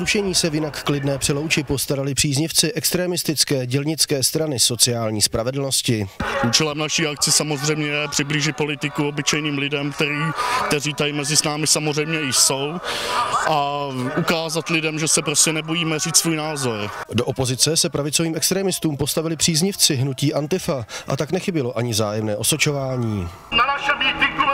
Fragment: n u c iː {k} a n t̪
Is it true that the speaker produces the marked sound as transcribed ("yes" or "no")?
no